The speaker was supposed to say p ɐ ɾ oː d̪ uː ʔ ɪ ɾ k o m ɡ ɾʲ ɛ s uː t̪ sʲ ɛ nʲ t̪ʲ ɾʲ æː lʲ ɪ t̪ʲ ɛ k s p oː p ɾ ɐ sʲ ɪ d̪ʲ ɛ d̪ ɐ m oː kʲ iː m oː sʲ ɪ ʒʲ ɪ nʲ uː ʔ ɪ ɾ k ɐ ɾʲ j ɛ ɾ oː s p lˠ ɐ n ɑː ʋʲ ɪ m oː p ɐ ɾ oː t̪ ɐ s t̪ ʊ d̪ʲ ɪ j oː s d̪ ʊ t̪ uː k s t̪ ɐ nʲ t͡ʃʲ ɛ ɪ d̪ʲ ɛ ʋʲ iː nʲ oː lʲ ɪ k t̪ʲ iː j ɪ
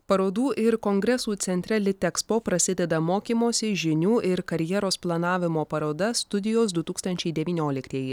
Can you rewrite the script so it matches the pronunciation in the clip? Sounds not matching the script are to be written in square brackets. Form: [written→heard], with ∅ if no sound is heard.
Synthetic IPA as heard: p ɐ ɾ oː d̪ uː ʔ ɪ ɾ k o [m→ŋ] ɡ ɾʲ ɛ s uː t̪ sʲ ɛ nʲ t̪ʲ ɾʲ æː lʲ ɪ t̪ʲ ɛ k s p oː p ɾ ɐ sʲ ɪ d̪ʲ ɛ d̪ ɐ m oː kʲ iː m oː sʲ ɪ ʒʲ ɪ nʲ uː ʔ ɪ ɾ k ɐ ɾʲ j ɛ ɾ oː s p lˠ ɐ n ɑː ʋʲ ɪ m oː p ɐ ɾ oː [t̪→d̪] ɐ s t̪ ʊ d̪ʲ ɪ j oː s d̪ ʊ t̪ uː k s t̪ ɐ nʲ t͡ʃʲ ɛ ɪ d̪ʲ ɛ ʋʲ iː nʲ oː lʲ ɪ k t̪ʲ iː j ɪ